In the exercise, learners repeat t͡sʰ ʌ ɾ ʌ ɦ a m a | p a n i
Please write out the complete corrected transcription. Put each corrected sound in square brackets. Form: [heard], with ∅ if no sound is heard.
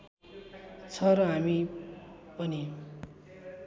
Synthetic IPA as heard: t͡sʰ ʌ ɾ ʌ ɦ a m [i] | p [ʌ] n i